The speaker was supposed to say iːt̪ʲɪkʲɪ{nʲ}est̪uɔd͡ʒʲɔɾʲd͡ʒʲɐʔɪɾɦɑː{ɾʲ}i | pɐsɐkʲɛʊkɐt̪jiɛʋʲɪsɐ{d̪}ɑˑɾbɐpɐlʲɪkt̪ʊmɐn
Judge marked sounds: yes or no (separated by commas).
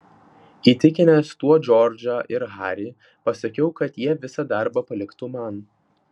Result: yes, yes, yes